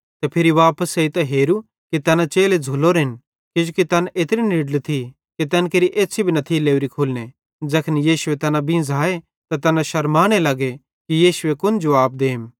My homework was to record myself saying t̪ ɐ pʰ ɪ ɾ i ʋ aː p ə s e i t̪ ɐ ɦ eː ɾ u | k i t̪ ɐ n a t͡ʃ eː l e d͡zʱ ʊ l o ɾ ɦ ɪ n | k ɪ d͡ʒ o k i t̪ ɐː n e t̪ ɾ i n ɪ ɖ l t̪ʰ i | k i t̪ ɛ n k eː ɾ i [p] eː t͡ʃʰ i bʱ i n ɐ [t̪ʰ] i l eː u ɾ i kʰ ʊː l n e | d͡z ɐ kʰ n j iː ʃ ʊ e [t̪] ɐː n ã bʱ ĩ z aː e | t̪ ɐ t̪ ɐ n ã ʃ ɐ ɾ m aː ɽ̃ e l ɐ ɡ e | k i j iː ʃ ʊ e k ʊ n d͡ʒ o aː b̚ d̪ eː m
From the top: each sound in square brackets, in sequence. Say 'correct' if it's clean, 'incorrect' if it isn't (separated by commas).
incorrect, correct, correct